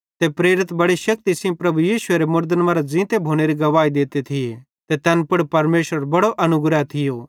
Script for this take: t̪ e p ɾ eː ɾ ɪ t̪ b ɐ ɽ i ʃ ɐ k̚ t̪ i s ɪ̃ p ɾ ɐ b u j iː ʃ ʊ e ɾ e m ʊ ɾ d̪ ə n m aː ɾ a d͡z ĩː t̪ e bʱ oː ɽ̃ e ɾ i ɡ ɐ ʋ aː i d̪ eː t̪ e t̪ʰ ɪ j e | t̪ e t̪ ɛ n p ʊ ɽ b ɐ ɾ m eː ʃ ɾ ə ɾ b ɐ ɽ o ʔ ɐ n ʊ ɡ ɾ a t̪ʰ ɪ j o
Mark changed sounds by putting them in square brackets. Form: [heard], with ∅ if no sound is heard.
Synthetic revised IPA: t̪ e p ɾ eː ɾ ɪ t̪ b ɐ ɽ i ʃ ɐ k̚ t̪ i s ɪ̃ p ɾ ɐ b u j iː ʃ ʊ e ɾ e m ʊ ɾ d̪ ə n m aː ɾ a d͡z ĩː t̪ e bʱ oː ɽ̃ e ɾ i ɡ ɐ ʋ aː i d̪ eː t̪ e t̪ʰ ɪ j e | t̪ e t̪ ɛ n p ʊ ɽ [p] ɐ ɾ m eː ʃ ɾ ə ɾ b ɐ ɽ o ʔ ɐ n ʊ ɡ ɾ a t̪ʰ ɪ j o